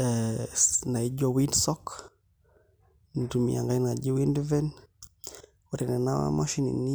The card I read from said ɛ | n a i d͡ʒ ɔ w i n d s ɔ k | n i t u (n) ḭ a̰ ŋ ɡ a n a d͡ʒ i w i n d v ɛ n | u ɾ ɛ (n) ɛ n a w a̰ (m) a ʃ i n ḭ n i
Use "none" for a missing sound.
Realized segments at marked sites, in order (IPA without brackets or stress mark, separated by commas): m, n, m